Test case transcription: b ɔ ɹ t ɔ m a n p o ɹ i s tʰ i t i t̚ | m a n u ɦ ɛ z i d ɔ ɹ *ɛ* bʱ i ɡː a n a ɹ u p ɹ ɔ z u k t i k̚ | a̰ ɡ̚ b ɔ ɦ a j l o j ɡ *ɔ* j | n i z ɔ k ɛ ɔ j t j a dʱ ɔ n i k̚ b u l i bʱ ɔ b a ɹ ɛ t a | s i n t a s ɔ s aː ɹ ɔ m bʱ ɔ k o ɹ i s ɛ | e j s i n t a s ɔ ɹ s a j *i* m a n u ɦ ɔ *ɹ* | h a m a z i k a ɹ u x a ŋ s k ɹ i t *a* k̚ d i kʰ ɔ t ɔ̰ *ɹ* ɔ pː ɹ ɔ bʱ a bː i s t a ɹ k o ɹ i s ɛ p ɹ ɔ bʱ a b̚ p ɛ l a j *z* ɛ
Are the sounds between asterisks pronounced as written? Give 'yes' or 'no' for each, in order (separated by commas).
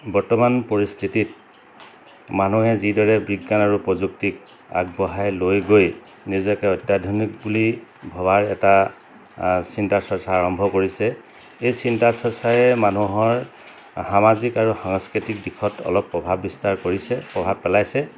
yes, no, no, yes, no, no, no